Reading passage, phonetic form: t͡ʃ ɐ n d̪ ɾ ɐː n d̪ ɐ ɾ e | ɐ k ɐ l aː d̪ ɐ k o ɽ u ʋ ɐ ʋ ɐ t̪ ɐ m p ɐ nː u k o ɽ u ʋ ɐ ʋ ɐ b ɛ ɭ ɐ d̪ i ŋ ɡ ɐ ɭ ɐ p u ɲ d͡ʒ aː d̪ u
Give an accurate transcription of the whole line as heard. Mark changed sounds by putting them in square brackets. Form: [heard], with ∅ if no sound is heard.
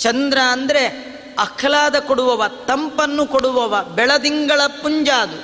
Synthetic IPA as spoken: t͡ʃ ɐ n d̪ ɾ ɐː n d̪ ɐ ɾ e | ɐ [kʰ] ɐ l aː d̪ ɐ k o ɽ u ʋ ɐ ʋ ɐ t̪ ɐ m p ɐ nː u k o ɽ u ʋ ɐ ʋ ɐ b ɛ ɭ ɐ d̪ i ŋ ɡ ɐ ɭ ɐ p u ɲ d͡ʒ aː d̪ u